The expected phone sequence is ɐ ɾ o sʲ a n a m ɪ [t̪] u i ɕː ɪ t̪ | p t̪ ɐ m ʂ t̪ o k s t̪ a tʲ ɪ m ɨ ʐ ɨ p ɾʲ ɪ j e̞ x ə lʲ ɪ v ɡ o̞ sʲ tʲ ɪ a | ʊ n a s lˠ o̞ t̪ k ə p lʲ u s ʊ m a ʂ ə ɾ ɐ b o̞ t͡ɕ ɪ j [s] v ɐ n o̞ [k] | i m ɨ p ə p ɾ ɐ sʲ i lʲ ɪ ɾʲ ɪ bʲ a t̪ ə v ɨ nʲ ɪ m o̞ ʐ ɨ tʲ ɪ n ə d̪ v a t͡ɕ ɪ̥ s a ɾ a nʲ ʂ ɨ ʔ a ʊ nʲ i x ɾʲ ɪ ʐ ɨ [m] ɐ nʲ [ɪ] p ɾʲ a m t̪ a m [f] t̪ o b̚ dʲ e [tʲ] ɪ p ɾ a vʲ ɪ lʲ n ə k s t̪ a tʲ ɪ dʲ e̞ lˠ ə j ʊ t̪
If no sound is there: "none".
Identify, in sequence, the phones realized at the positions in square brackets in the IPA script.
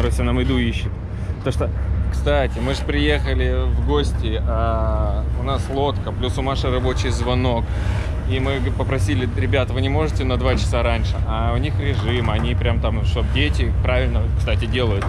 d̪, z, k, m, i, ʂ, tʲ

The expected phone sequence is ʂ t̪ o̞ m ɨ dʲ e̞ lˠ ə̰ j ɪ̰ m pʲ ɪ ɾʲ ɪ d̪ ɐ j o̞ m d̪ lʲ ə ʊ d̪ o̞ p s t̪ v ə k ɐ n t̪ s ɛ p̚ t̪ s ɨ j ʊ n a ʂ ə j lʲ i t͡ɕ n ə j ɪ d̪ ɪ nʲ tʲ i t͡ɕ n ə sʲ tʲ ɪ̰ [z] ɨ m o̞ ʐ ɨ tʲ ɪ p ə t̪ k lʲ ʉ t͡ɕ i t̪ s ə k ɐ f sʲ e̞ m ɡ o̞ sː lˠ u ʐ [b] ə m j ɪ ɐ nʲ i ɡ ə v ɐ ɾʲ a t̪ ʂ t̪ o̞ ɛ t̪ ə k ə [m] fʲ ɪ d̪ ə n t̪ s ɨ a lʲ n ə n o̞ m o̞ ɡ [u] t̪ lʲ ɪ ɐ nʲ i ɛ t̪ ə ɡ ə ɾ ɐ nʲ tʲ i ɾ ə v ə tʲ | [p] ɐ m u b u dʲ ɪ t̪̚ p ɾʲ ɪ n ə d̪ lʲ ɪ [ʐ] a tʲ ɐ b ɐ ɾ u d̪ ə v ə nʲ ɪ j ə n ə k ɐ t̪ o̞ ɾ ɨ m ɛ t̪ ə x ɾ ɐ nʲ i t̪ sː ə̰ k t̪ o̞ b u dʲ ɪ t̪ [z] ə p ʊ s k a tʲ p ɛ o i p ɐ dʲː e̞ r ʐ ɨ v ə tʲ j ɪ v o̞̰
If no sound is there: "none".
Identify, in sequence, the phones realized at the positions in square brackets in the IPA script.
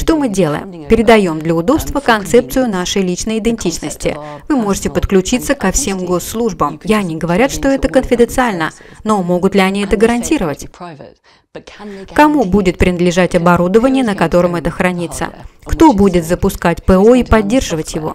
v, b, n, ʊ, k, ʐ, z

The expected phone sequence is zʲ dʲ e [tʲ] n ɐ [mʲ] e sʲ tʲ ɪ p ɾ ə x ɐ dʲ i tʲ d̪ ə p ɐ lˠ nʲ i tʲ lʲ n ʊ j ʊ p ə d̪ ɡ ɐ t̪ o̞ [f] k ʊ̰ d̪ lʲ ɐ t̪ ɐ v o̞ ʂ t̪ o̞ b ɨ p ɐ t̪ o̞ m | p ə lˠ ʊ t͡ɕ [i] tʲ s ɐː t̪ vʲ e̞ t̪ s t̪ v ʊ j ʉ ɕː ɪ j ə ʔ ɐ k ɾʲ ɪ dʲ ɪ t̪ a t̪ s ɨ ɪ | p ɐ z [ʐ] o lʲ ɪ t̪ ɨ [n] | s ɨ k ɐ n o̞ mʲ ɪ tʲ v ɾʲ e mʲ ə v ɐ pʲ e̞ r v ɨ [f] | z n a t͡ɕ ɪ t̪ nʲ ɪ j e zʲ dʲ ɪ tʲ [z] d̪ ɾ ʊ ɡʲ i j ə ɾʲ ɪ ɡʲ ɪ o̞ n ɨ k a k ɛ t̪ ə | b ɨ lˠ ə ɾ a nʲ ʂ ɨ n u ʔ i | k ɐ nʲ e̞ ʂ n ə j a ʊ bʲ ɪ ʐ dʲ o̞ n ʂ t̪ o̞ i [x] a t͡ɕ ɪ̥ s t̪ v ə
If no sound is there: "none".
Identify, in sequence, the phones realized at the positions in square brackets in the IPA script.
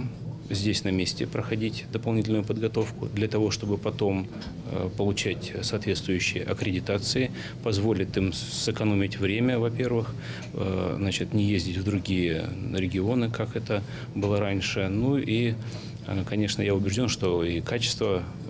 sʲ, mʲ, f, æ, v, m, x, v, k

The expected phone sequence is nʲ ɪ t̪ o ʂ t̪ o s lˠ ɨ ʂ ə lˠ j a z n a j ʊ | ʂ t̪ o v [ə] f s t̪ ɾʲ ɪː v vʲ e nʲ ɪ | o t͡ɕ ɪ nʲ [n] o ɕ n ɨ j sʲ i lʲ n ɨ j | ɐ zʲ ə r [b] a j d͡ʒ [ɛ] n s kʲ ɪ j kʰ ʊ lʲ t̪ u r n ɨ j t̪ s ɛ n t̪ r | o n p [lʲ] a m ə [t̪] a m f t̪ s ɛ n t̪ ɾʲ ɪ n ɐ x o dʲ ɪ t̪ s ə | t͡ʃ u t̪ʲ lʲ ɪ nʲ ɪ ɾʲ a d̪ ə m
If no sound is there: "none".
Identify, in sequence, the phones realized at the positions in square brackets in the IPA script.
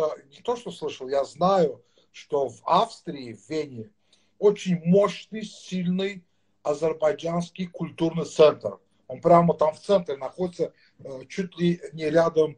a, m, b, a, ɾʲ, t̪

